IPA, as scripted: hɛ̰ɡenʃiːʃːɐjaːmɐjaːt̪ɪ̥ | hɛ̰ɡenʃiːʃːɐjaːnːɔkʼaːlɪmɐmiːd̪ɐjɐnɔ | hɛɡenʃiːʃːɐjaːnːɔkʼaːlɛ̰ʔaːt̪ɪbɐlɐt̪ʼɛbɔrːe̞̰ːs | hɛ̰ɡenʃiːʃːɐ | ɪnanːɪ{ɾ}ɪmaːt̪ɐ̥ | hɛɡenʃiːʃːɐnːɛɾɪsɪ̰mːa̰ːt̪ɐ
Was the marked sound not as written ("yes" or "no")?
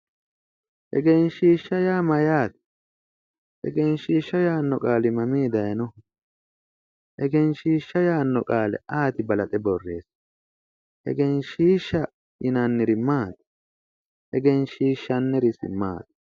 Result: no